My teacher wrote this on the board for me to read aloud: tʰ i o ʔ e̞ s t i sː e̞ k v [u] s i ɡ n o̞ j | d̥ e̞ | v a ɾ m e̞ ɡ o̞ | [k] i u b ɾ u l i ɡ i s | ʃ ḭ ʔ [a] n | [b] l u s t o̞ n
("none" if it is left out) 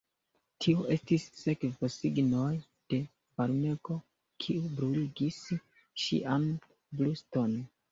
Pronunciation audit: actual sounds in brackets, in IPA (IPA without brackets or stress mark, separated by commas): o, kʰ, a, b